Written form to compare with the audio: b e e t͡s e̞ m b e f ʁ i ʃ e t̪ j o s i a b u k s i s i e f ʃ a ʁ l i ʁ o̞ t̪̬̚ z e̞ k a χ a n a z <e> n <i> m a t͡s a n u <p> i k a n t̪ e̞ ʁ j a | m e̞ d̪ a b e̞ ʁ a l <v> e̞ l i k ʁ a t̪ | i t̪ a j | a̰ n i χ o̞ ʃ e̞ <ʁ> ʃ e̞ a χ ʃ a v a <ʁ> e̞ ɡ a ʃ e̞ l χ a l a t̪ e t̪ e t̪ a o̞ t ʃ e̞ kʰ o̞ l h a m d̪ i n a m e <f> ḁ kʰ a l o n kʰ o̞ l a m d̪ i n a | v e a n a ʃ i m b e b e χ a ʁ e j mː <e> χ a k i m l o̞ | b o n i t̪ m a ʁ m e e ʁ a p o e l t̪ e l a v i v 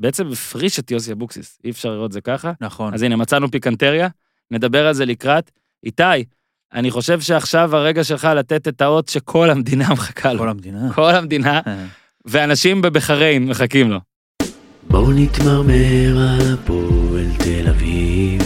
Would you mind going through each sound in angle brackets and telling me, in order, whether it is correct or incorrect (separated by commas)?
incorrect, incorrect, correct, incorrect, incorrect, correct, incorrect, correct